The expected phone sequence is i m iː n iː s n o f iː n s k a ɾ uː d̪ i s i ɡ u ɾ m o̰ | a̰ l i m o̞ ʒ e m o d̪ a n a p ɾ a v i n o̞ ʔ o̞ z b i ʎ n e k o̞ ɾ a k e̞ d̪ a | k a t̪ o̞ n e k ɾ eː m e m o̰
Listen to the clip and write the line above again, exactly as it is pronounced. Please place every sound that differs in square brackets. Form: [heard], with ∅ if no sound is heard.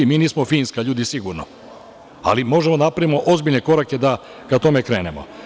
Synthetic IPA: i m iː n iː s [m] o f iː n s k a [ʎ] uː d̪ i s i ɡ u ɾ [n] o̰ | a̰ l i m o̞ ʒ e m o d̪ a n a p ɾ a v i [m] o̞ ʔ o̞ z b i ʎ n e k o̞ ɾ a k e̞ d̪ a | k a t̪ o̞ [m] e k ɾ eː [n] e m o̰